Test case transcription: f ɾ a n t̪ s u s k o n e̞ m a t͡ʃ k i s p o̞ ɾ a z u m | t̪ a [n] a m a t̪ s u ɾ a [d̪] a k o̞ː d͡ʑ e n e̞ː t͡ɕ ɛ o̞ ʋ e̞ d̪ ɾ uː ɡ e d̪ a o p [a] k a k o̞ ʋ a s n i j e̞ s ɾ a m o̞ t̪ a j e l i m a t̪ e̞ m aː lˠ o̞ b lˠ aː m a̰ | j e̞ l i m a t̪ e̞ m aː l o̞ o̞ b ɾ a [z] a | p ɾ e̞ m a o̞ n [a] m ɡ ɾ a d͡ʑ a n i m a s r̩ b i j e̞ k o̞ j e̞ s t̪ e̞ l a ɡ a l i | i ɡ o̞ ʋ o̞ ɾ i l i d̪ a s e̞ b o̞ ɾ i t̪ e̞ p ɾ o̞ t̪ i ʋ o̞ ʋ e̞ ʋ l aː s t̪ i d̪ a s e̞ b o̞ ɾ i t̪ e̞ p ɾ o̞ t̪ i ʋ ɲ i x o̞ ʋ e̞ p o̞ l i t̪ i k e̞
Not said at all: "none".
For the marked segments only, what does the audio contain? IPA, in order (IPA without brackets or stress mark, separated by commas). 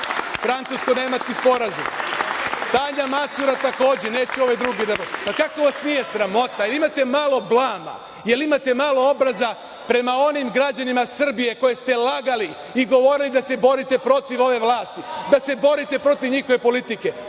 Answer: ɲ, t̪, a, z, i